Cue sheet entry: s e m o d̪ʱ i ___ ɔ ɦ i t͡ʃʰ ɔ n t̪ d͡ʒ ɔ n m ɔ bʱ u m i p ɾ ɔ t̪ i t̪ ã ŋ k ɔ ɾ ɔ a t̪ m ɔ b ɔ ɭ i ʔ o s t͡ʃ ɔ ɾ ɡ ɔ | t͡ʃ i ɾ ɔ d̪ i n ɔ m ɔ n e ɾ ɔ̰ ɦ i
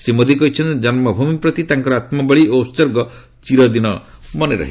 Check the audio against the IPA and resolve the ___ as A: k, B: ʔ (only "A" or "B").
A